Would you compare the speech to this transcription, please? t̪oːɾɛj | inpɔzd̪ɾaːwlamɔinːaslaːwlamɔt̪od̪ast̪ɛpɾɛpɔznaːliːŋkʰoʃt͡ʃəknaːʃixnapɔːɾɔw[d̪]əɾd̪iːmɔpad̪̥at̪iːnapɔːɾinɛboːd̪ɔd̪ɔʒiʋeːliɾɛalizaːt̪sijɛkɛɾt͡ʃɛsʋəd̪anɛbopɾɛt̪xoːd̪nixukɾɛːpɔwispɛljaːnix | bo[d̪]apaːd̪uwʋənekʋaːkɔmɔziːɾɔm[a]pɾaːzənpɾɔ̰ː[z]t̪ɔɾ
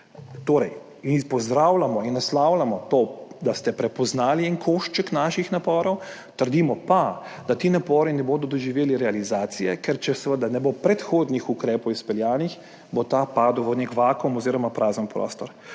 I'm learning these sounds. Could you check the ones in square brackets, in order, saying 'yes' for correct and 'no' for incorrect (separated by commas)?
no, no, yes, no